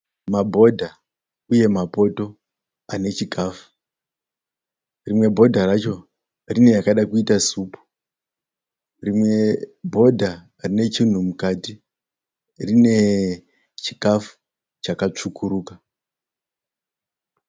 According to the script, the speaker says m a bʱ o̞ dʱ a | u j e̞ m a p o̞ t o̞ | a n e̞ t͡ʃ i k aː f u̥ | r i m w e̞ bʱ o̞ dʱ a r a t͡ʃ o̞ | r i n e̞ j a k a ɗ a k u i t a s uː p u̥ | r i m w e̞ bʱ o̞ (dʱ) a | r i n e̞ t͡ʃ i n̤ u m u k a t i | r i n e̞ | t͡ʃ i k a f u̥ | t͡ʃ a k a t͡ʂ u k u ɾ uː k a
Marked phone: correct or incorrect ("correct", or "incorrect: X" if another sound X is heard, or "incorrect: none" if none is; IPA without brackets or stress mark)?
correct